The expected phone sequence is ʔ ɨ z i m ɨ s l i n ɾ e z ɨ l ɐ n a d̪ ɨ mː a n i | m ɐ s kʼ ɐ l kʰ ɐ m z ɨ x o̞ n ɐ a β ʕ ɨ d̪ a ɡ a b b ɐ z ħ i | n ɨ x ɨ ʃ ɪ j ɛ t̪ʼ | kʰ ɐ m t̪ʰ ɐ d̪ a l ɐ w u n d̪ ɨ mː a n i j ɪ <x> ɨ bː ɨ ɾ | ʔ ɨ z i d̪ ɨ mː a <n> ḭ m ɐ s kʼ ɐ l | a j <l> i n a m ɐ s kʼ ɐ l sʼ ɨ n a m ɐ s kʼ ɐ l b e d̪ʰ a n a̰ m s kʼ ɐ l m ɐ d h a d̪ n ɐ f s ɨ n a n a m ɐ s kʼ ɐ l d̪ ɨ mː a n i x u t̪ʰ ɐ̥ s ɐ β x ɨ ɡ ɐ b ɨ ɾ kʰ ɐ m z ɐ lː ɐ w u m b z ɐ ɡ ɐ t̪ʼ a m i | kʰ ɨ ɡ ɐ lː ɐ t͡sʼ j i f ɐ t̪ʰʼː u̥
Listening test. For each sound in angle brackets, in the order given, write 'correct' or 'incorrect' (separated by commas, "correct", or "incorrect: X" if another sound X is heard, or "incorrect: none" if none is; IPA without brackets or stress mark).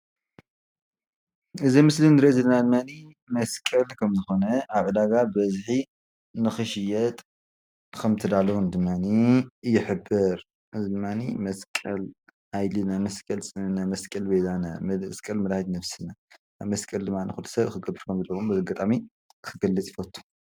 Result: incorrect: ħ, correct, correct